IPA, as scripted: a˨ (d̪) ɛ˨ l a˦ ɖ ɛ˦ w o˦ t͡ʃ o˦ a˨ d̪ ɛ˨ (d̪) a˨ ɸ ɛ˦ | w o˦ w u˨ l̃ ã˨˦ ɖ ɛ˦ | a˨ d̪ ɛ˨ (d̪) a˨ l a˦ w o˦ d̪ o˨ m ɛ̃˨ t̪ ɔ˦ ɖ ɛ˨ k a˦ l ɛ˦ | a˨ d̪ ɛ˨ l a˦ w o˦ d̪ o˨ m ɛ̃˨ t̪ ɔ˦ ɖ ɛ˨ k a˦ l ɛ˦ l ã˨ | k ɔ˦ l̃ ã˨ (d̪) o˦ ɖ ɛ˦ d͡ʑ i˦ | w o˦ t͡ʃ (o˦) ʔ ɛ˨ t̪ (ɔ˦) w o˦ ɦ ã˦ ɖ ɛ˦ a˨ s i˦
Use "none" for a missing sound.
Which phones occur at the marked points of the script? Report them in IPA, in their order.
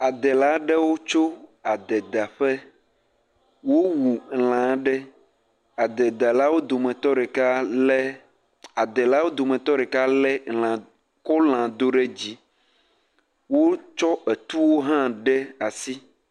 d̪, d̪, d̪, d̪, ɔ˦, u˦

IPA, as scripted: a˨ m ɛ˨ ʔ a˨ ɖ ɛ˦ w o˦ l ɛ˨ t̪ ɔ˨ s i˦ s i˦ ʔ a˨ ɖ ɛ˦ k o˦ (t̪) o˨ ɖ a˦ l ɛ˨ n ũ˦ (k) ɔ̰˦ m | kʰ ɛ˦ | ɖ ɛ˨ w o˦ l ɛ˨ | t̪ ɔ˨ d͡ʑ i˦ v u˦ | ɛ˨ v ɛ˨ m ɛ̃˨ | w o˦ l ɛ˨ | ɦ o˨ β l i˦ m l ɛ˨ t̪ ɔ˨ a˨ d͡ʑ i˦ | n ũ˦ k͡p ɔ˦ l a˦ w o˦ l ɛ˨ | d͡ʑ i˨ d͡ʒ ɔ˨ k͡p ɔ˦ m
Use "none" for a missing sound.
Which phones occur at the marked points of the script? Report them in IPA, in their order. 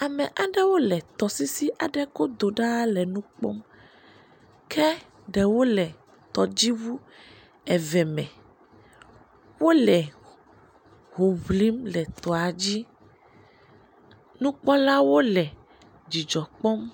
d̪, k͡p

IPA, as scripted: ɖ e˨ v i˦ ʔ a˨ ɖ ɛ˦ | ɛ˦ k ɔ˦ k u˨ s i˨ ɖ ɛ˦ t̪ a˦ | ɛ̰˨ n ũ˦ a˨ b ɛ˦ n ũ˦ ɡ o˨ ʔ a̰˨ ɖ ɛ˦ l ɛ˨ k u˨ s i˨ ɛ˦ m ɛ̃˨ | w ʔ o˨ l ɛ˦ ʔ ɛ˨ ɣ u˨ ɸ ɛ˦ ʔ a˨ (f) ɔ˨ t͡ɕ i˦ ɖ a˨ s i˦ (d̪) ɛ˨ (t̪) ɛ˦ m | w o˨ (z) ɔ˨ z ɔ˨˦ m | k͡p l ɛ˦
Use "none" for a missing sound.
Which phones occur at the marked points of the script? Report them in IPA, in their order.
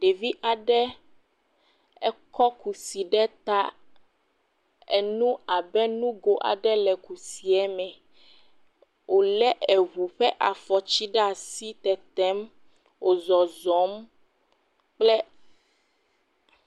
f, t̪, t̪, z

